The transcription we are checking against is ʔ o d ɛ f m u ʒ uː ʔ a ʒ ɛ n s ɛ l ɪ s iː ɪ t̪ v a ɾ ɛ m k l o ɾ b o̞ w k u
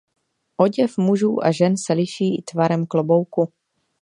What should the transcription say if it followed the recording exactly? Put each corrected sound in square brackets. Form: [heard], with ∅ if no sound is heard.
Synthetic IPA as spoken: ʔ o [ɟ] ɛ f m u ʒ uː ʔ a ʒ ɛ n s ɛ l ɪ [ʃ] iː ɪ t̪ v a ɾ ɛ m k l o [∅] b o̞ w k u